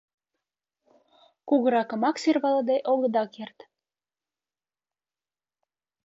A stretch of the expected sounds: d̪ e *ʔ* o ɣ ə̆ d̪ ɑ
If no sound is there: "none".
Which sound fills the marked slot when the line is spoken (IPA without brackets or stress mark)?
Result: ʔ